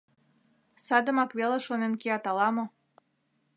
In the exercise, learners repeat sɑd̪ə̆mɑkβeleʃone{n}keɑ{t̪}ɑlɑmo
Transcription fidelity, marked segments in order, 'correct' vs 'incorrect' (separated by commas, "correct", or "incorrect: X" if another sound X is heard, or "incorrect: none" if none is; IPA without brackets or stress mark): correct, correct